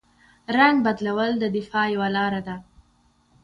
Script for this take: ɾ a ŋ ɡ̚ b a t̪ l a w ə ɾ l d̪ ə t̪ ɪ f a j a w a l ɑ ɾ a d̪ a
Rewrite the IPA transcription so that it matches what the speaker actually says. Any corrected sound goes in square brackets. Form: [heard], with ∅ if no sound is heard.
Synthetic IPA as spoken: ɾ a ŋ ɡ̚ b a [d̪] l a w ə [∅] l d̪ ə [d̪] ɪ f [ɑ] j a w a l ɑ ɾ a d̪ a